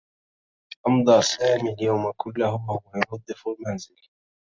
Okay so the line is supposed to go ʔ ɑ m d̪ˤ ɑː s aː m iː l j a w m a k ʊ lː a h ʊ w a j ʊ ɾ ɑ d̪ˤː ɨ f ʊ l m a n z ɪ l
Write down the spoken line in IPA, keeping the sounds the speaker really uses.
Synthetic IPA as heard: ʔ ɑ m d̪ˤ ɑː s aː m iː l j a w m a k ʊ lː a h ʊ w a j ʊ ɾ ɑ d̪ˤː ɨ f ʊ l m a n z ɪ l